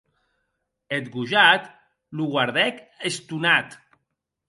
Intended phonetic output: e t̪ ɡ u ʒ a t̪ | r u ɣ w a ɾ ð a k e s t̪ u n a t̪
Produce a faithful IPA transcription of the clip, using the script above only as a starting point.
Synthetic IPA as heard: e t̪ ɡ u ʒ a t̪ | l u ɣ w a ɾ ð ɛ k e s t̪ u n a t̪